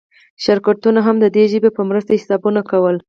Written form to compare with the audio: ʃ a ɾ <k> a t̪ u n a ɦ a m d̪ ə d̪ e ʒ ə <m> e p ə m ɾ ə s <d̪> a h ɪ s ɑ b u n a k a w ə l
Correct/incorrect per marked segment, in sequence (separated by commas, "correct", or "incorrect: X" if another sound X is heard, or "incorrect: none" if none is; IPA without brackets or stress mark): correct, incorrect: b, incorrect: t̪